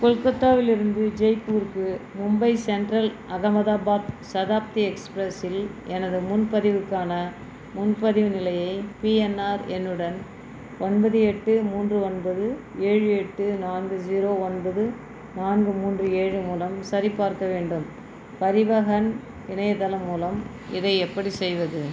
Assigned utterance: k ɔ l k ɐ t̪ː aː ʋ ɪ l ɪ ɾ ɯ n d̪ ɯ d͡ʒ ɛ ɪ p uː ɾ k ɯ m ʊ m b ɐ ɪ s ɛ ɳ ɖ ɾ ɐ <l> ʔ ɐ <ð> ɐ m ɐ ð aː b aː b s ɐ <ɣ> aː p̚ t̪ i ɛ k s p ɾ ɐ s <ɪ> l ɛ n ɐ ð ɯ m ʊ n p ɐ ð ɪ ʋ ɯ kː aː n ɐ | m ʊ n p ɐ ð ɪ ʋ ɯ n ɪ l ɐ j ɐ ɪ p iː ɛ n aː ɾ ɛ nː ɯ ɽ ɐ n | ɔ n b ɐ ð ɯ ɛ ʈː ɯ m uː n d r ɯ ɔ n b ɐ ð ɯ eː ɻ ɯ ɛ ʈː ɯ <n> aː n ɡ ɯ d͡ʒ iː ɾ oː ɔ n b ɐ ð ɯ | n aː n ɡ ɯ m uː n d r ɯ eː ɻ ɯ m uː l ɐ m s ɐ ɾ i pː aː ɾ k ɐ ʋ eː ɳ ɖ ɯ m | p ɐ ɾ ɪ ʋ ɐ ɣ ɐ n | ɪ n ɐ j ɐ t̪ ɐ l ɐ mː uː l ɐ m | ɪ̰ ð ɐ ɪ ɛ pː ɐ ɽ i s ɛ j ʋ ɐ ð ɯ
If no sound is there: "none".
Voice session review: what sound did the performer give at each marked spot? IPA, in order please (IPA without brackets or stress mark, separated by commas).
l, ɣ, ð, ɪ, n